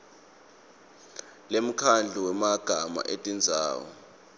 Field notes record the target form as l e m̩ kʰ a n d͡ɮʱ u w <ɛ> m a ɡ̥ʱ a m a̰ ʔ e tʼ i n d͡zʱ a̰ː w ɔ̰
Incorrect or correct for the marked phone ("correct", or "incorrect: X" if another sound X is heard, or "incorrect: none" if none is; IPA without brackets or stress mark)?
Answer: correct